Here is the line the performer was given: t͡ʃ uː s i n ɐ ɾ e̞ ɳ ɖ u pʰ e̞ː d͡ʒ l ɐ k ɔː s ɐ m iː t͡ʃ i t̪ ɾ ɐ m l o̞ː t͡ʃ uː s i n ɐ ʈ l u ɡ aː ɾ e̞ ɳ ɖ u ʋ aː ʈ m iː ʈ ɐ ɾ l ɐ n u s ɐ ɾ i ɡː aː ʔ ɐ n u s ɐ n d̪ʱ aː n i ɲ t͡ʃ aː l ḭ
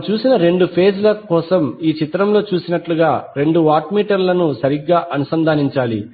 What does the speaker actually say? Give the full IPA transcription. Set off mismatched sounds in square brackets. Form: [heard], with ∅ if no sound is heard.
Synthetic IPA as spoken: t͡ʃ uː s i n ɐ ɾ e̞ ɳ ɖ u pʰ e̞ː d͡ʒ l ɐ k ɔː s ɐ m iː t͡ʃ i t̪ ɾ ɐ m l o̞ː t͡ʃ uː s i n ɐ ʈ l u ɡ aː ɾ e̞ ɳ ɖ u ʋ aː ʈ m iː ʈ ɐ ɾ l ɐ n u s ɐ ɾ i ɡː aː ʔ ɐ n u s ɐ n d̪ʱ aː n i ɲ t͡ʃ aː l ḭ